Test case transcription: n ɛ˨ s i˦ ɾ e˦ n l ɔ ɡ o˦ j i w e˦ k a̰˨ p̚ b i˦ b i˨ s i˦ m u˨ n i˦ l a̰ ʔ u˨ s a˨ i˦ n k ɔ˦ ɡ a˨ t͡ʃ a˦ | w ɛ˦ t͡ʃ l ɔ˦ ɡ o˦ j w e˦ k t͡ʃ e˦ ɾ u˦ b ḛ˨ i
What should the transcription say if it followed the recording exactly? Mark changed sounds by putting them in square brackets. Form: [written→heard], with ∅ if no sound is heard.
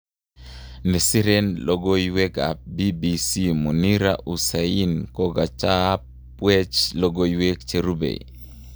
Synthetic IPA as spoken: n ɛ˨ s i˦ ɾ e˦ n l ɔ ɡ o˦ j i w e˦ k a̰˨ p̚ b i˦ b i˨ s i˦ m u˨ n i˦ [l→ɾ] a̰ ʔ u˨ s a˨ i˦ n k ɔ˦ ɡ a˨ t͡ʃ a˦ | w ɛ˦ t͡ʃ l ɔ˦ ɡ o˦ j w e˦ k t͡ʃ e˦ ɾ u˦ b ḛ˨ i